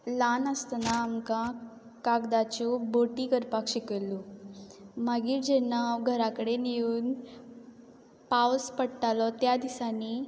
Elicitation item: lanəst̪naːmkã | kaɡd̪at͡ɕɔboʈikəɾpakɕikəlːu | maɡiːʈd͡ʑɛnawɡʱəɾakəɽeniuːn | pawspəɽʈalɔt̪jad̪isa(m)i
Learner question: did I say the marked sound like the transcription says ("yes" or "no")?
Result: no